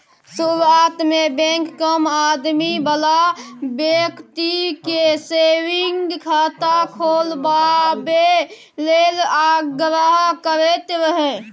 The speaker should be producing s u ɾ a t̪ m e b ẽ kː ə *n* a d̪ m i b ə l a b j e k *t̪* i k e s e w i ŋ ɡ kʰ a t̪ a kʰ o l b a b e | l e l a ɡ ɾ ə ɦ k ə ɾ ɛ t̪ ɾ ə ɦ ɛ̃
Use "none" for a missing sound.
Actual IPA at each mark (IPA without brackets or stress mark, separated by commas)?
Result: m, t̪